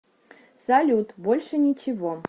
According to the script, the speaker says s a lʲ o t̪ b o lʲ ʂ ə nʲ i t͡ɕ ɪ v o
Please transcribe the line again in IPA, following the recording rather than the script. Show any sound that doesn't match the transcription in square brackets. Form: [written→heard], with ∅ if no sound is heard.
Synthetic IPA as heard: s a lʲ [o→u] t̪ b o lʲ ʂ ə nʲ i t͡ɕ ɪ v o